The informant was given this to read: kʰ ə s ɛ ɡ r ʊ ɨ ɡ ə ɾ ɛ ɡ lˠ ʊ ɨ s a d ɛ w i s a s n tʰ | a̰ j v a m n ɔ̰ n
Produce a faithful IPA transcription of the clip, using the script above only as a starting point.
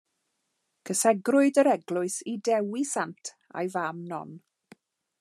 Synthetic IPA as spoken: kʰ ə s ɛ ɡ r ʊ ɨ d ə ɾ ɛ ɡ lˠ ʊ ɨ s i d ɛ w i s a n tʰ | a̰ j v a m n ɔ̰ n